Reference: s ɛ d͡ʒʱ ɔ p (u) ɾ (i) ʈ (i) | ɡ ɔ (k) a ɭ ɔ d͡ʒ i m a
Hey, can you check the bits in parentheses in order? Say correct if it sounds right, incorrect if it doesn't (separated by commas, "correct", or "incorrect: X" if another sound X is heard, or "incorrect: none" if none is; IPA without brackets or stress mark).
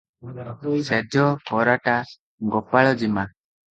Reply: incorrect: ɔ, incorrect: a, incorrect: a, incorrect: p